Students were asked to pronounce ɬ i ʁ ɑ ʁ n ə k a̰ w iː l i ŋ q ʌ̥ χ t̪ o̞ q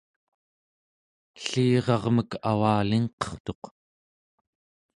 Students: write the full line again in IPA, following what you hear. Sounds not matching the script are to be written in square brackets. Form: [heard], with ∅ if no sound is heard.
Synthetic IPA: ɬ [iː] ʁ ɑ ʁ [m] ə k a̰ w [aː] l i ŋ q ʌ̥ χ t̪ o̞ q

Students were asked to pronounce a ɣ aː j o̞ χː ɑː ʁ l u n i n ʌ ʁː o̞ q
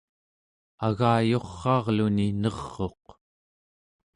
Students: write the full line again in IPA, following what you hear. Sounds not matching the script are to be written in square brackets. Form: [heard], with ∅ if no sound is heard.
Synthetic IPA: a ɣ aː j o̞ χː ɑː ʁ l u n i n ʌ ʁː o̞ q

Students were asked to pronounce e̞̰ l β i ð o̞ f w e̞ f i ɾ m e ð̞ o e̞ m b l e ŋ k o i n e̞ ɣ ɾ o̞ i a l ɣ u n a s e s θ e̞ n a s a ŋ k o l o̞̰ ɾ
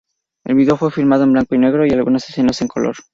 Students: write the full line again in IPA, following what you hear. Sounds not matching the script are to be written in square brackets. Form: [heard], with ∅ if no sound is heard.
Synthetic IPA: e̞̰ l β i ð o̞ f w e̞ f i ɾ m [a] ð̞ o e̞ m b l [a] ŋ k o i n e̞ ɣ ɾ o̞ i a l ɣ u n a s e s θ e̞ n a s [e] ŋ k o l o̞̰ ɾ

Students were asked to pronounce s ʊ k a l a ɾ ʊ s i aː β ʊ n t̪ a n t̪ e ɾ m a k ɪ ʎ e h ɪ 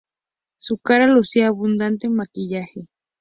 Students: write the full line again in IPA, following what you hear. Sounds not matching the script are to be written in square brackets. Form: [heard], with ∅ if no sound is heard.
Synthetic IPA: s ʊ k a [ɾ] a [l] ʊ s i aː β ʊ n [d̪] a n t̪ e [∅] m a k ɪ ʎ [a] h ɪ

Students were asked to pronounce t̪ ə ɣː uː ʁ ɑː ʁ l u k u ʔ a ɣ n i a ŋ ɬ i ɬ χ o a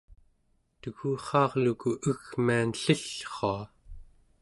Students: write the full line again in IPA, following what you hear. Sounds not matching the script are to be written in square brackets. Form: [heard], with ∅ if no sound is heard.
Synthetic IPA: t̪ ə [ɣ] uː [χ] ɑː ʁ l u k u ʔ [ə] ɣ [m] i a [n] ɬ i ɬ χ o a

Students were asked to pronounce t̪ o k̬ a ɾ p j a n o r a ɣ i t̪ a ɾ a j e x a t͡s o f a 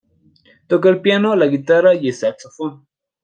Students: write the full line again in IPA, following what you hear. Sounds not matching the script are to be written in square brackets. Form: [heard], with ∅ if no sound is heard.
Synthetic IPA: t̪ o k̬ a [l] p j a n o [l] a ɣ i t̪ a ɾ a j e [s] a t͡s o f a

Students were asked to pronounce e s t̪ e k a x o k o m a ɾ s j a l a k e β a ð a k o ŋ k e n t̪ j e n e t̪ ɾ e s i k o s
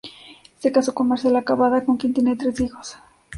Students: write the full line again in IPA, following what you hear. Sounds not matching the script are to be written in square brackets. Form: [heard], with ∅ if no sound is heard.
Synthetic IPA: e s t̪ e k a [s] o k o m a ɾ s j a l a k [a] β a ð a k o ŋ k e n t̪ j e n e t̪ ɾ e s i [x] o s

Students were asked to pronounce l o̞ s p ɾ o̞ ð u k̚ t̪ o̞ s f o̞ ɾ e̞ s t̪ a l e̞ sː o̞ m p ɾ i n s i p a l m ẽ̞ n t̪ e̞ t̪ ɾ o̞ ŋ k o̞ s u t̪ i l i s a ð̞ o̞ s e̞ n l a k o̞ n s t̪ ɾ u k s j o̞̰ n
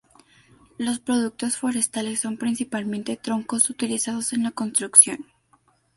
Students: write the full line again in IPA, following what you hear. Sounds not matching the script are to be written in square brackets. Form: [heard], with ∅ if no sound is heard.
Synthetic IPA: l o̞ s p ɾ o̞ ð u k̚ t̪ o̞ s f o̞ ɾ e̞ s t̪ a l e̞ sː o̞ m p ɾ i n s i p a l m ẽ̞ n t̪ e̞ t̪ ɾ o̞ ŋ k o̞ s u t̪ i l i s a ð̞ o̞ s e̞ n l a k o̞ n s t̪ ɾ u k s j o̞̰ n

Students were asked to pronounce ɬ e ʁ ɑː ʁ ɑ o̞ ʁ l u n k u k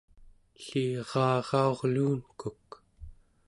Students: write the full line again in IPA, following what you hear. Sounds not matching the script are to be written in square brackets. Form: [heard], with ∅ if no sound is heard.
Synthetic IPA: ɬ [i] ʁ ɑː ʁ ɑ o̞ ʁ l [uː] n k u k

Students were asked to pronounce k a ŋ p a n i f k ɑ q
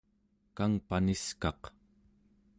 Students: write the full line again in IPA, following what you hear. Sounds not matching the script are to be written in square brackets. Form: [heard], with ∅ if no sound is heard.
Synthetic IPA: k a ŋ p a n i [s] k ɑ q

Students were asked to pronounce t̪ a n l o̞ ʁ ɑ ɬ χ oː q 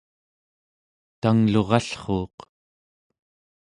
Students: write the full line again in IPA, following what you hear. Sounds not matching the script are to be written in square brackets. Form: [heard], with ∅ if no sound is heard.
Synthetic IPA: t̪ a [ŋ] l o̞ ʁ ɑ ɬ χ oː q

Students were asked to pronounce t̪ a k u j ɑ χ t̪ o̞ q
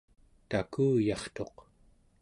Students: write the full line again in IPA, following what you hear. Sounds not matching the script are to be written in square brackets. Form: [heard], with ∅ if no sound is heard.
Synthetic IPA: t̪ a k [uː] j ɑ χ t̪ o̞ q

